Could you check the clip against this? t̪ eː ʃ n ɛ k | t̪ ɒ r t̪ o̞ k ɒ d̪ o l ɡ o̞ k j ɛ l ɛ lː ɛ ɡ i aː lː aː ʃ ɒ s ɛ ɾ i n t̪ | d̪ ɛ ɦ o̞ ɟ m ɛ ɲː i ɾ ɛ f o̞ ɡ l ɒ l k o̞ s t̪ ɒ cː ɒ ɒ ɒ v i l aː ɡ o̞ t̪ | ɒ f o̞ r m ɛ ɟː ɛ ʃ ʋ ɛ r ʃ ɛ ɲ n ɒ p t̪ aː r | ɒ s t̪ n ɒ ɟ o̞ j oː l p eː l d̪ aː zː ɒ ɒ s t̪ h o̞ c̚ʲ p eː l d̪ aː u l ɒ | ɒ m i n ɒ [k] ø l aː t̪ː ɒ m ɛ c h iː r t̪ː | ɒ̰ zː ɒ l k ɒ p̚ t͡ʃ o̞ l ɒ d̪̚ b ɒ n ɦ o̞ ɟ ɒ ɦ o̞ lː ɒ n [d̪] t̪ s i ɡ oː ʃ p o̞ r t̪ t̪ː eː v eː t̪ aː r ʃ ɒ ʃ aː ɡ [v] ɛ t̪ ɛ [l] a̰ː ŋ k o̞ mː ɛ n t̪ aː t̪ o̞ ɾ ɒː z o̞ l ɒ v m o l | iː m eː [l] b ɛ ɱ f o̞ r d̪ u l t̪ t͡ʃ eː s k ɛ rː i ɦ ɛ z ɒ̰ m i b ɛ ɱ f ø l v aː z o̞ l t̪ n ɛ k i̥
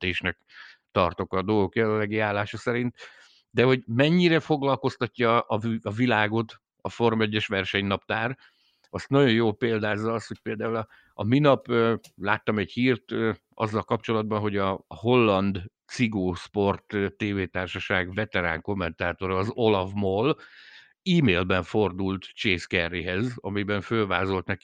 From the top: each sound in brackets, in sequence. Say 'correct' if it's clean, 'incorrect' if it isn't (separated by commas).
incorrect, correct, correct, incorrect, correct